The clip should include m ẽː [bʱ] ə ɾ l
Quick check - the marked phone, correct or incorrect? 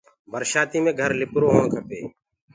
incorrect: ɡʱ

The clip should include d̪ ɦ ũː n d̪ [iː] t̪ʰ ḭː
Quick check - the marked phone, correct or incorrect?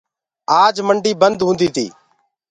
correct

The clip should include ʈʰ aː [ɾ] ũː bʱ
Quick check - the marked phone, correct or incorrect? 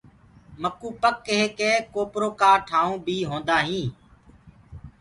incorrect: none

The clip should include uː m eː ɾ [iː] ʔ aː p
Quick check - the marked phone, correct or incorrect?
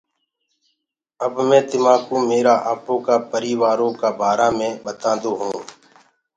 incorrect: aː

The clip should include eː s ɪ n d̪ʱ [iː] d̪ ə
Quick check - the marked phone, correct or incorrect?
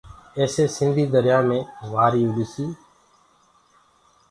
correct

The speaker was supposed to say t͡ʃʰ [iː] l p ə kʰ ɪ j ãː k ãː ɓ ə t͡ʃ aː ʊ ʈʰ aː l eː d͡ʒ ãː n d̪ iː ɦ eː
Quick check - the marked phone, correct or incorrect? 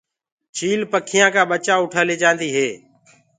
correct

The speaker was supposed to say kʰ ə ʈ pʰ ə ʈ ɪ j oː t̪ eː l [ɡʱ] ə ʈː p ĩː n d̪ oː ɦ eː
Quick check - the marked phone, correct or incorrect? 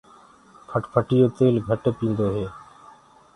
correct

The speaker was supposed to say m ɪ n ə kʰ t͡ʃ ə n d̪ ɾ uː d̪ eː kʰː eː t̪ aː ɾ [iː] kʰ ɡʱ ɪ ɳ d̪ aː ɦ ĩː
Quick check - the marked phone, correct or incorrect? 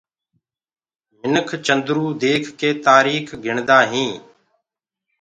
correct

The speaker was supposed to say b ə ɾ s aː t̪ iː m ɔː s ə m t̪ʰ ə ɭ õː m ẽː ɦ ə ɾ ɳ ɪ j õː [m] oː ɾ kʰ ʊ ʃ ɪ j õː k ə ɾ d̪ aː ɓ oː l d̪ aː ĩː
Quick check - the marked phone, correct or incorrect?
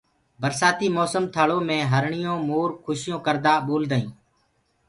correct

